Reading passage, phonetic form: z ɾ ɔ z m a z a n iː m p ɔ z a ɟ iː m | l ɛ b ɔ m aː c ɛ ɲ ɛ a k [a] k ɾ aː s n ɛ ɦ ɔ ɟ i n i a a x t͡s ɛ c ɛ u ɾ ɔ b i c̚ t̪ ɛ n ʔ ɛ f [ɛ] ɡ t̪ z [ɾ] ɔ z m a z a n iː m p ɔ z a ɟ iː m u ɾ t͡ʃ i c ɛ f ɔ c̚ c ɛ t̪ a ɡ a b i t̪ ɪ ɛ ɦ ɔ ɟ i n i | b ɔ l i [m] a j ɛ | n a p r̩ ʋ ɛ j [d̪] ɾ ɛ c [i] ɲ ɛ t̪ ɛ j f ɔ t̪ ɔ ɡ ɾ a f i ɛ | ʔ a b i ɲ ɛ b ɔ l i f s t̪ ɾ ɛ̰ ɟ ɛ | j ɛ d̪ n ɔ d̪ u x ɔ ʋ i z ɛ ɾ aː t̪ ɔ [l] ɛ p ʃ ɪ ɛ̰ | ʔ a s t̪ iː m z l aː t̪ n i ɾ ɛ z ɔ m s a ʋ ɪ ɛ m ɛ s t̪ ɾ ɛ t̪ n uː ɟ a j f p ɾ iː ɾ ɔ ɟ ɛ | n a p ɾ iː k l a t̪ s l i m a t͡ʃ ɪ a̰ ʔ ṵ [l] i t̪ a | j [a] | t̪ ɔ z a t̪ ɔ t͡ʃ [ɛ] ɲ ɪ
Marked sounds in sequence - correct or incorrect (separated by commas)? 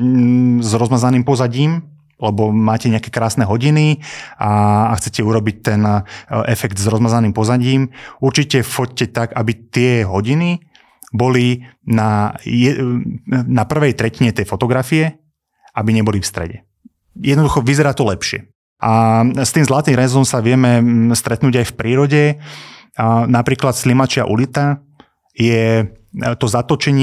incorrect, correct, correct, incorrect, incorrect, correct, correct, correct, incorrect, correct